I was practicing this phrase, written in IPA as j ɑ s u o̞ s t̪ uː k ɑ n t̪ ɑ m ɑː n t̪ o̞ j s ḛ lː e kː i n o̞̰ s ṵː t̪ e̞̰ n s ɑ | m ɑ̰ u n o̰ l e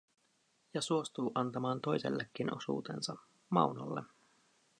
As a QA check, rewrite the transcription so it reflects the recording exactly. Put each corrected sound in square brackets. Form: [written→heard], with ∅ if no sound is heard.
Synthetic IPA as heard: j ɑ s u o̞ s t̪ uː [k→ʔ] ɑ n t̪ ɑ m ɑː n t̪ o̞ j s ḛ lː e kː i n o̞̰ s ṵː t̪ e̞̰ n s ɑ | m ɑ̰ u n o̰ [l→lː] e